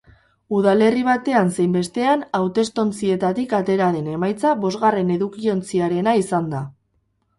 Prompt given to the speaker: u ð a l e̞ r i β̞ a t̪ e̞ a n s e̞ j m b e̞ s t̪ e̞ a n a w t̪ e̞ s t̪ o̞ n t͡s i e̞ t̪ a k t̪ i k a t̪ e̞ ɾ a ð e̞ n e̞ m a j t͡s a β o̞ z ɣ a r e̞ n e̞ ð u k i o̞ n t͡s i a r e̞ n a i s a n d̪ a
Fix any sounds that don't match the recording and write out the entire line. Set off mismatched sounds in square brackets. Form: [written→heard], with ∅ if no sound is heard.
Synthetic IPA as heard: u ð a l e̞ r i β̞ a t̪ e̞ a n s e̞ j m b e̞ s t̪ e̞ a n a w t̪ e̞ s t̪ o̞ n t͡s i e̞ t̪ a [k→∅] t̪ i k a t̪ e̞ ɾ a ð e̞ n e̞ m a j t͡s a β o̞ z ɣ a r e̞ n e̞ ð u k i o̞ n t͡s i a [r→ɾ] e̞ n a i s a n d̪ a